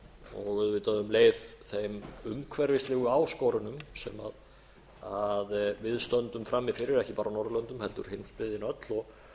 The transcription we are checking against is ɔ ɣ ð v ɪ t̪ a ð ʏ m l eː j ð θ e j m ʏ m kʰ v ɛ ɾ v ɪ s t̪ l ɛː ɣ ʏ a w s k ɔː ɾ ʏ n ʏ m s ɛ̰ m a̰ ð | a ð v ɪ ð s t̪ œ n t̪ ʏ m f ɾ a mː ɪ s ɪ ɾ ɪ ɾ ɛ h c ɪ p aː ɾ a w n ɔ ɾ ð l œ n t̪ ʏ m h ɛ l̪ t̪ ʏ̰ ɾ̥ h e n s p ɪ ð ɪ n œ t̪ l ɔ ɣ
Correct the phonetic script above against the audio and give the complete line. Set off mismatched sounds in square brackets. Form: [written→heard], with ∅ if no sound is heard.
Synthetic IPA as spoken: ɔ ɣ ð v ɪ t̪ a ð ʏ m l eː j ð θ e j m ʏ m kʰ v ɛ ɾ v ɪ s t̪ l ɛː ɣ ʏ a w s k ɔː ɾ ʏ n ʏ m s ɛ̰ m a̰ ð | a ð v ɪ ð s t̪ œ n t̪ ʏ m f ɾ a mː ɪ [s→f] ɪ ɾ ɪ ɾ ɛ h c ɪ p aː ɾ a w n ɔ ɾ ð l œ n t̪ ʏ m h ɛ l̪ t̪ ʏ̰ ɾ̥ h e n s p ɪ ð ɪ n œ t̪ l ɔ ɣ